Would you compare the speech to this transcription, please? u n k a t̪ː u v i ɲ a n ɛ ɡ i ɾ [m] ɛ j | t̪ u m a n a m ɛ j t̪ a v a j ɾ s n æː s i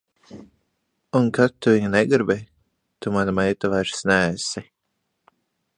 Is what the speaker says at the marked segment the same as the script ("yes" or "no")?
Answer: no